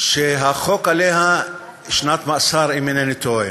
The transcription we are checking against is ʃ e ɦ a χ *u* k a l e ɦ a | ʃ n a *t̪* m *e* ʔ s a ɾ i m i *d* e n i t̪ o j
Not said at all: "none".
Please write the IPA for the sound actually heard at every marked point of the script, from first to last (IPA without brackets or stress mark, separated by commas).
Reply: o, t̪, a, n